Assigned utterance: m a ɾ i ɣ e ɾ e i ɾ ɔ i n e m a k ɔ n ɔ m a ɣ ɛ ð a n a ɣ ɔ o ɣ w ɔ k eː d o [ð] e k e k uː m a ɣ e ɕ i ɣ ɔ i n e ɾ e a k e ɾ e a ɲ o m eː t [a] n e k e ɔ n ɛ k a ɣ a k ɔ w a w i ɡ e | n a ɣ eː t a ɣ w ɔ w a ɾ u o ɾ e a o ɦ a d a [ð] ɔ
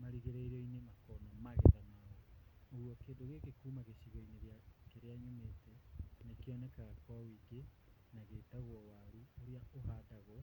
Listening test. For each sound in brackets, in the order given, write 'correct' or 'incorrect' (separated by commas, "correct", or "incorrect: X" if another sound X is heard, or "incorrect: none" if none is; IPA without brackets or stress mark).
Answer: incorrect: ɣ, incorrect: ɛ, incorrect: ɣ